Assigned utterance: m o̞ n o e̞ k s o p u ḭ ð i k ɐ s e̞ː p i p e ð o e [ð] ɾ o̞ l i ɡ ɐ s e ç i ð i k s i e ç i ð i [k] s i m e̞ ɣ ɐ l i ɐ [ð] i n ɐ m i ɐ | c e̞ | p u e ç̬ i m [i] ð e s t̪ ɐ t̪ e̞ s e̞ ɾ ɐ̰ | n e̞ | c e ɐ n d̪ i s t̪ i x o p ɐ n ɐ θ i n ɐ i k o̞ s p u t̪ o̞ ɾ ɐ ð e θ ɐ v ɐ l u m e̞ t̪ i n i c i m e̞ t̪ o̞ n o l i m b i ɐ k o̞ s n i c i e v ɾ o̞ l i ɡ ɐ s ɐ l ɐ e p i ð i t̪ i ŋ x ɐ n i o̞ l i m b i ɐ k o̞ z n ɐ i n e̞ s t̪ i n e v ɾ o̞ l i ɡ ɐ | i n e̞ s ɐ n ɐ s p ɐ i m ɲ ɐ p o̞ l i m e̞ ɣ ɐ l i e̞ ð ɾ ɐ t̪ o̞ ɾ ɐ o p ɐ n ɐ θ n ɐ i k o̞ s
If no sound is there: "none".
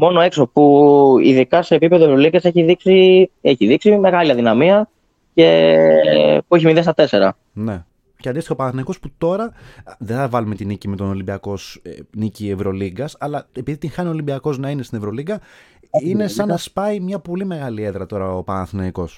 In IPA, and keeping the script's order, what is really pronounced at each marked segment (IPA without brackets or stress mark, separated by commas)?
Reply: v, k, ð, i